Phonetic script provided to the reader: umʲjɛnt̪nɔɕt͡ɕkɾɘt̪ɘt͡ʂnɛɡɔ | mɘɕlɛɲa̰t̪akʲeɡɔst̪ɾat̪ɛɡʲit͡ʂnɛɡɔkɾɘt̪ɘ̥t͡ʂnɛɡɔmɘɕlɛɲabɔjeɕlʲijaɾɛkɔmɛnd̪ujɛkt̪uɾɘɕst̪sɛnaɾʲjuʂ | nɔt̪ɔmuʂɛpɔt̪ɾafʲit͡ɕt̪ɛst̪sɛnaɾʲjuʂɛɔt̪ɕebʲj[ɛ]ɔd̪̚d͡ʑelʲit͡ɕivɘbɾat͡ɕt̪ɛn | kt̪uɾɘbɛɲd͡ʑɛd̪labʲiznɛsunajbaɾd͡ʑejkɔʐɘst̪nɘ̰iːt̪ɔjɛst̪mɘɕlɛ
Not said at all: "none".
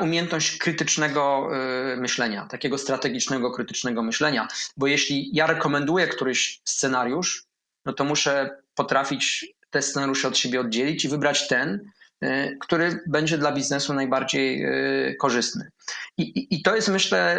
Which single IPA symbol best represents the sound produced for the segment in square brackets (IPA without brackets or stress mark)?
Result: ɛ